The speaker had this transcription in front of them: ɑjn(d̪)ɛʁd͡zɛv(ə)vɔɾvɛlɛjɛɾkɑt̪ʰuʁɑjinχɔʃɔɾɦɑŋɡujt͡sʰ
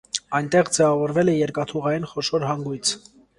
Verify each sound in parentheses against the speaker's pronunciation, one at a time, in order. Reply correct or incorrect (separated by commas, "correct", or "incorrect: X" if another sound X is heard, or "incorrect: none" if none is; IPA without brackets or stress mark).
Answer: incorrect: t̪, incorrect: ɑ